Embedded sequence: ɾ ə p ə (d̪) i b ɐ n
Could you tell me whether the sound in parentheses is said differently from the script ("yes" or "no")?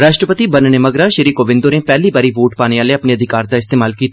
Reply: yes